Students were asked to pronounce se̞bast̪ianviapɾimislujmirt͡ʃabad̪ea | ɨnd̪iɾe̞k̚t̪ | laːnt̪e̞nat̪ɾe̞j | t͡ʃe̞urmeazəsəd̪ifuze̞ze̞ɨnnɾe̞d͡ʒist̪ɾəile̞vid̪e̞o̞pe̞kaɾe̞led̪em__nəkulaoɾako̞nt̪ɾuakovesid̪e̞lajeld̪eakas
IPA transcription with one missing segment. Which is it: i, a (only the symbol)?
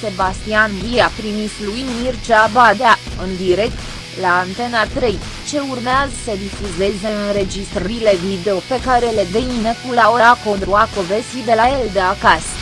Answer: i